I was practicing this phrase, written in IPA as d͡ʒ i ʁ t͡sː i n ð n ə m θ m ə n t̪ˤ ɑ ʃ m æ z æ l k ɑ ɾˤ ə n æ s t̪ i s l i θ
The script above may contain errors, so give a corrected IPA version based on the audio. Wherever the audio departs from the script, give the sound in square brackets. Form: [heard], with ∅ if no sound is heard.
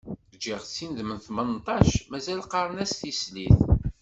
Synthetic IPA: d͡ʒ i ʁ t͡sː i n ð [m] ə [n] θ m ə n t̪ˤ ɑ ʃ m æ z æ l [q] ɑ ɾˤ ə n æ s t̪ i s l i θ

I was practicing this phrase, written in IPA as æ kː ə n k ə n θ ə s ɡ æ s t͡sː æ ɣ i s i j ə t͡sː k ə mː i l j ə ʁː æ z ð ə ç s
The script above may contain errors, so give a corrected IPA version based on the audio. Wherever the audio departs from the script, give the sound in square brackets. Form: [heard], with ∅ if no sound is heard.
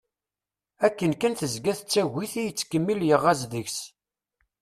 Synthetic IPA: æ kː ə n k ə n θ ə [z] ɡ æ [θ] t͡sː æ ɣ i [θ] i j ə t͡sː k ə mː i l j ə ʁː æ z ð ə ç s

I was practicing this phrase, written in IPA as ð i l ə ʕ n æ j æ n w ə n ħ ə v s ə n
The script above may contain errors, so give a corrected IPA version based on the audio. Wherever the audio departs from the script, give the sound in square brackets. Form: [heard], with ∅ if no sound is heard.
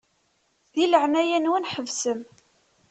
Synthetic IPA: ð i l ə ʕ n æ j æ n w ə n ħ ə v s ə [m]

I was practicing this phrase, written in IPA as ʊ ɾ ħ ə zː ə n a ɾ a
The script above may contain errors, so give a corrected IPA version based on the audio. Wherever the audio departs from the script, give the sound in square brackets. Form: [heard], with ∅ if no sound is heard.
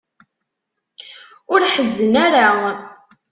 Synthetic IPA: ʊ ɾ ħ ə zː ə n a ɾ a

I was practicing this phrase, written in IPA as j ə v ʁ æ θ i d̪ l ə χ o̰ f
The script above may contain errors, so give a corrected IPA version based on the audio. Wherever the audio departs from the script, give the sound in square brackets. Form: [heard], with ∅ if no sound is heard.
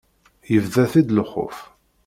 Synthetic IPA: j ə v [ð] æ θ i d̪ l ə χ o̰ f

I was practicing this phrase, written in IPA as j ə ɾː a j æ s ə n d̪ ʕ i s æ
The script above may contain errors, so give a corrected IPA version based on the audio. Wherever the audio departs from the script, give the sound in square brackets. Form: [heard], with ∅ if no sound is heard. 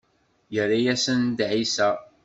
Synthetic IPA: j ə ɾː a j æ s ə n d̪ ʕ i s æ

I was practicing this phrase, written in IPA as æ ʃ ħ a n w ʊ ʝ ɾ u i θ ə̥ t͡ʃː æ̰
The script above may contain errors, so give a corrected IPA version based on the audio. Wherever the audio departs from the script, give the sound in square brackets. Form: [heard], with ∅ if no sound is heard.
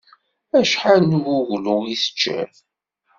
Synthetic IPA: æ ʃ ħ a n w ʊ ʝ [l] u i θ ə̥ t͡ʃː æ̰

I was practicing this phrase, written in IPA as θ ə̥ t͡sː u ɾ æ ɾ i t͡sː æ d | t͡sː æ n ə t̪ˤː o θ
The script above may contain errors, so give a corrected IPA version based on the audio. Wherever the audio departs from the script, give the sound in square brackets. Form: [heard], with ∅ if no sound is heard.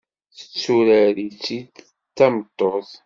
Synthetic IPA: θ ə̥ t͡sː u ɾ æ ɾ i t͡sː [i] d | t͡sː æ [m] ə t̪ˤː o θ

